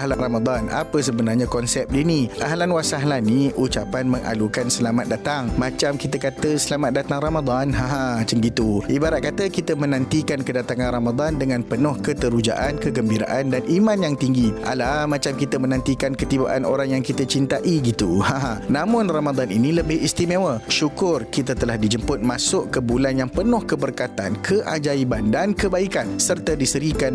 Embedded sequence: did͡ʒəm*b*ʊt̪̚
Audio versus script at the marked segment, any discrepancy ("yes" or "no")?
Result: yes